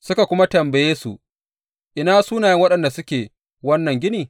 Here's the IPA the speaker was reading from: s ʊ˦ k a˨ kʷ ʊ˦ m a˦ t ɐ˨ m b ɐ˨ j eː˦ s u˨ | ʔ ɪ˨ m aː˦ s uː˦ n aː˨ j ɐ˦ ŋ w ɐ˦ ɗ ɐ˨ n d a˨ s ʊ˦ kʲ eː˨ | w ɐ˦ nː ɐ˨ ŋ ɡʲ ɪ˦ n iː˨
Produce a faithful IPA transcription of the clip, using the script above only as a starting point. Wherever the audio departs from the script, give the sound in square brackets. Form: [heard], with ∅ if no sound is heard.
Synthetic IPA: s ʊ˦ k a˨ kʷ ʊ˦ m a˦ t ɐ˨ m b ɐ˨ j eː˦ s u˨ | ʔ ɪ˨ [n] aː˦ s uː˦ n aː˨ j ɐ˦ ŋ w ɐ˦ ɗ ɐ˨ n d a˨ s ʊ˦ kʲ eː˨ | w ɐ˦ nː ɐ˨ ŋ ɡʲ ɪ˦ n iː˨